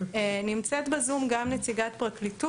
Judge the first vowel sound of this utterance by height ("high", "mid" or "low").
high